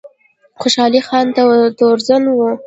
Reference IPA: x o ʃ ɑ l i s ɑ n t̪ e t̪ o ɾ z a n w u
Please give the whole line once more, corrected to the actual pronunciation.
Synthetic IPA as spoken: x o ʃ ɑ l i x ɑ n t̪ a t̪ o ɾ z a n w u